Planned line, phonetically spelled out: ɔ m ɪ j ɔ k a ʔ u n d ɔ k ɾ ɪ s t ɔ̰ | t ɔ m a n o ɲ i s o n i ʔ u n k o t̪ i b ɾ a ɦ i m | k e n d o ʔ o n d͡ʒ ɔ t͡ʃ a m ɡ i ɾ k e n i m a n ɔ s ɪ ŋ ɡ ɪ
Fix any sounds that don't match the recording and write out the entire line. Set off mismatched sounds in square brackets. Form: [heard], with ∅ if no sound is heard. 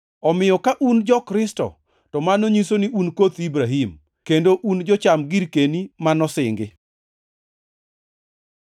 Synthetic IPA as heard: ɔ m ɪ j ɔ k a ʔ u n [d͡ʒ] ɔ k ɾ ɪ s t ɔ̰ | t ɔ m a n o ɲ i s o n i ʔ u n k o t̪ i b ɾ a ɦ i m | k e n d o ʔ [u] n d͡ʒ ɔ t͡ʃ a m ɡ i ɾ k e n i m a n ɔ s ɪ ŋ ɡ ɪ